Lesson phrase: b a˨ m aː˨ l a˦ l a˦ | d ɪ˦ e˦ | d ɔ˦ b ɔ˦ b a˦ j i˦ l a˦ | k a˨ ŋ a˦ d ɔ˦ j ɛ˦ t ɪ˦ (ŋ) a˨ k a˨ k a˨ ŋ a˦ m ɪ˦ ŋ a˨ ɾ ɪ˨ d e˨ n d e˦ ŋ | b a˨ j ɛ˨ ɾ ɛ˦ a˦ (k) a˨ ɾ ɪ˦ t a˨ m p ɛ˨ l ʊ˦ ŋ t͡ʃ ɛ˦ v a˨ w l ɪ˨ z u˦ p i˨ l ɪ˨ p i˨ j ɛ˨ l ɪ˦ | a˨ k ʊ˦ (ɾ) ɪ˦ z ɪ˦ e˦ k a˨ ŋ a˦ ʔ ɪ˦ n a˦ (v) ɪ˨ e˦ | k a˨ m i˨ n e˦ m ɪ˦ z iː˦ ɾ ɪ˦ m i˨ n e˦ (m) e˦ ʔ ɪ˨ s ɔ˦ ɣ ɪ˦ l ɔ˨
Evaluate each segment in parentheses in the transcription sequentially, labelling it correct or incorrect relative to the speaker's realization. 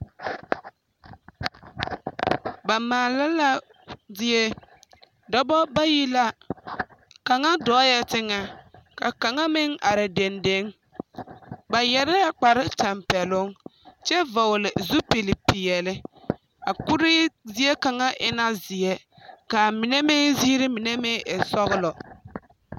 correct, incorrect: k͡p, correct, incorrect: z, correct

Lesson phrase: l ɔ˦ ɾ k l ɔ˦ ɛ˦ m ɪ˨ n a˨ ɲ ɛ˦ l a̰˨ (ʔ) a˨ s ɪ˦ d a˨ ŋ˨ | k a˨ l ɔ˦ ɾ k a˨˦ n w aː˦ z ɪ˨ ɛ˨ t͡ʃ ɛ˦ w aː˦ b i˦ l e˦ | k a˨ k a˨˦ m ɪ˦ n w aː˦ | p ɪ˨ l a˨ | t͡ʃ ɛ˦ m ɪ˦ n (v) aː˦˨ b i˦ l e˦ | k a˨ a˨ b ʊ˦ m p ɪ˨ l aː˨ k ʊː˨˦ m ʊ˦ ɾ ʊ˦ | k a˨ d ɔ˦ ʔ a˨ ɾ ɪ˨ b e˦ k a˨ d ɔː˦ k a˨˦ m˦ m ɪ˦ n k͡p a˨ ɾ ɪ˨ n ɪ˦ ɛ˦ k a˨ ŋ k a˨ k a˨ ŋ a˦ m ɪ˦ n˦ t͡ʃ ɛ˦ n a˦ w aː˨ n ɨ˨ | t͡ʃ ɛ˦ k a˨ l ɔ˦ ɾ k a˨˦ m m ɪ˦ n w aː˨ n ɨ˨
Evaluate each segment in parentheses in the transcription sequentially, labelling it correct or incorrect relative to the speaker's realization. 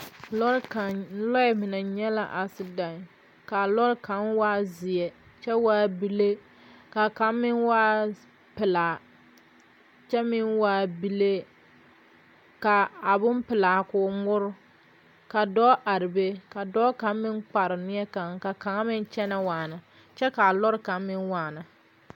correct, incorrect: w

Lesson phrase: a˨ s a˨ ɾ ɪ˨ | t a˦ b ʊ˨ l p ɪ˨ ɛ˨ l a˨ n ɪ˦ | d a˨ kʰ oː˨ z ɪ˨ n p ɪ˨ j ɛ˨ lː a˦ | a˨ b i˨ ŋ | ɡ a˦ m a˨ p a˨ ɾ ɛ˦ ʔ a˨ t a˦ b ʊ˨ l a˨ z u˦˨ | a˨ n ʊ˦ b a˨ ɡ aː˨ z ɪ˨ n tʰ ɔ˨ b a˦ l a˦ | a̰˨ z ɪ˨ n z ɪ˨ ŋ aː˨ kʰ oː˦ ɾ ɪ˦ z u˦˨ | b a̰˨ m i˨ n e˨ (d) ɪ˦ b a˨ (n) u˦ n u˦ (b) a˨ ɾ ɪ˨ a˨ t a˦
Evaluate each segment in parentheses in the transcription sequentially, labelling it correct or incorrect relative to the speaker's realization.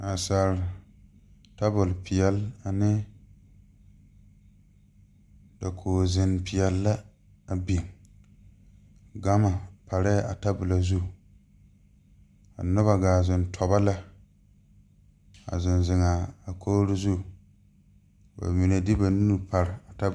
correct, correct, incorrect: p

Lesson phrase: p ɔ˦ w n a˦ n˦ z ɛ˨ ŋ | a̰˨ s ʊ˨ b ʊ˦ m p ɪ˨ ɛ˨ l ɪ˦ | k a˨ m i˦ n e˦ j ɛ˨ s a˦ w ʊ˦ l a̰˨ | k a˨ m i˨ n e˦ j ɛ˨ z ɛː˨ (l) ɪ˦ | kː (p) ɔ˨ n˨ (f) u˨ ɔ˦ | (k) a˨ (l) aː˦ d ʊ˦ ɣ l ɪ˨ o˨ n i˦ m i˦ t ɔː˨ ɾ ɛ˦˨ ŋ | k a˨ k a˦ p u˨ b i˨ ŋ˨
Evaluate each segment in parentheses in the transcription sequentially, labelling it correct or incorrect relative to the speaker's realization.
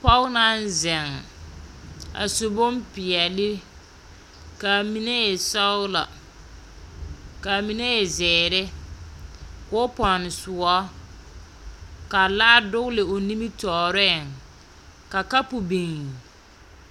incorrect: ɾ, correct, incorrect: s, correct, correct

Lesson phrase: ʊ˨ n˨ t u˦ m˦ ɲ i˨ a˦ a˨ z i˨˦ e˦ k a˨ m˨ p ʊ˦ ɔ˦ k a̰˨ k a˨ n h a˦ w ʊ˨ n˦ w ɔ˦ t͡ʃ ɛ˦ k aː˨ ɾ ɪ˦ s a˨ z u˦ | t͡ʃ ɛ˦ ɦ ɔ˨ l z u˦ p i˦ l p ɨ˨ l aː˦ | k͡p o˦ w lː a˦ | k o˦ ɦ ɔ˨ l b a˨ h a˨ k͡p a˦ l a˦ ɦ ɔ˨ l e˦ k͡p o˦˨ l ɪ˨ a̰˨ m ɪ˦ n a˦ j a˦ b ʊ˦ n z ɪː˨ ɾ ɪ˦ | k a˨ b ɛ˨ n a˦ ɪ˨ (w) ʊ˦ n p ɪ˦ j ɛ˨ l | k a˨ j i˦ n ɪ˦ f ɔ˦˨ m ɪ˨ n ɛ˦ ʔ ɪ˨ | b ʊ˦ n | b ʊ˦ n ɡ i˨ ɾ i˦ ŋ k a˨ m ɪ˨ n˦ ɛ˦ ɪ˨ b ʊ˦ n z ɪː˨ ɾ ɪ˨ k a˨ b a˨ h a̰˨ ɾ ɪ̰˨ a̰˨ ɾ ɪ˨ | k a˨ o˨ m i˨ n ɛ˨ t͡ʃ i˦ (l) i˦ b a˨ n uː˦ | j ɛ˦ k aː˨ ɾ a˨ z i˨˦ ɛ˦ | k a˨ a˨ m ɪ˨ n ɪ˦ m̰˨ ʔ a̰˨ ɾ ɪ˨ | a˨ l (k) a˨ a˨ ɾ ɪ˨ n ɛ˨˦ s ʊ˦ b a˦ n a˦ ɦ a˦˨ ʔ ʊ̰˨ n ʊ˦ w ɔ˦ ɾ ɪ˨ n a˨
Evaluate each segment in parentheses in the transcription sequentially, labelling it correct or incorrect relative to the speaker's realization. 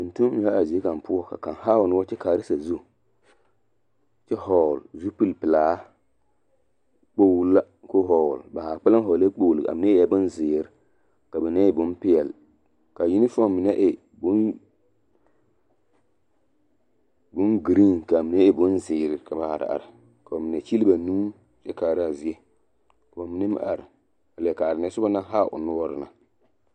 incorrect: b, correct, correct

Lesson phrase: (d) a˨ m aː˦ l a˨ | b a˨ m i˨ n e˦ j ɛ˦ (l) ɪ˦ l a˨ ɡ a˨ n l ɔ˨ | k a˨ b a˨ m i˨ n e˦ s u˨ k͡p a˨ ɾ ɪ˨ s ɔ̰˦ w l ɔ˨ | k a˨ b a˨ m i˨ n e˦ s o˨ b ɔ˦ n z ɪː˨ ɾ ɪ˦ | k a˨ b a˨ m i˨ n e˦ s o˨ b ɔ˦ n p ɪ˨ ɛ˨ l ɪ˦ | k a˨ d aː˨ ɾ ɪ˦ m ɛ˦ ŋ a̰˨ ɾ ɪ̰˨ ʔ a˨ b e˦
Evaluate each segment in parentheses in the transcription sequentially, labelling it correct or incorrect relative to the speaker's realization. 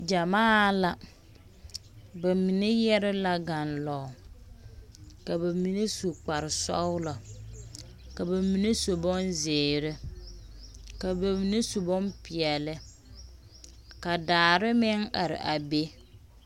incorrect: d͡ʒ, incorrect: ɾ

